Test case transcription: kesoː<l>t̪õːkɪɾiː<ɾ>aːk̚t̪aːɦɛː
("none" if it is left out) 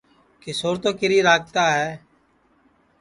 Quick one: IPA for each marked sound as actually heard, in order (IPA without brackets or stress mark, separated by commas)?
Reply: ɾ, ɾ